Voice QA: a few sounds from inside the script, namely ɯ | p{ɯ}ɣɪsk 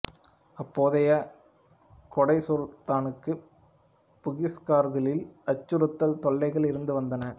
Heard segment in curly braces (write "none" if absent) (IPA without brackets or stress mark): ʊ